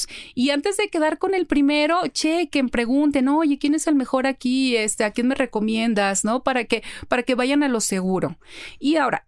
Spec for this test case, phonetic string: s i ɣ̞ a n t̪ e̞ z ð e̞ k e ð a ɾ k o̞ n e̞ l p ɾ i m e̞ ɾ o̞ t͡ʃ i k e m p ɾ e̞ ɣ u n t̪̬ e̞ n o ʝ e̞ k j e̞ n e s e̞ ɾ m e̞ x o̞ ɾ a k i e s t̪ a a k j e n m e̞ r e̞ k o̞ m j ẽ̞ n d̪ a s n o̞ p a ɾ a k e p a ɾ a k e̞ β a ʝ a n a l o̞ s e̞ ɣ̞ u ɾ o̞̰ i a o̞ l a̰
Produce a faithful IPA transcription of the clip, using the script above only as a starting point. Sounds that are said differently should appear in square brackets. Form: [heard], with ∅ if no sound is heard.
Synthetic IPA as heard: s i [∅] a n t̪ e̞ z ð e̞ k e ð a ɾ k o̞ n e̞ l p ɾ i m e̞ ɾ o̞ t͡ʃ [e] k e m p ɾ e̞ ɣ u n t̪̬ e̞ n o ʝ e̞ k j e̞ n e s e̞ [l] m e̞ x o̞ ɾ a k i e s t̪ [e] a k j e n m e̞ r e̞ k o̞ m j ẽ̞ n d̪ a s n o̞ p a ɾ a k e p a ɾ a k e̞ β a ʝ a n a l o̞ s e̞ ɣ̞ u ɾ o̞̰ i a o̞ [ɾ] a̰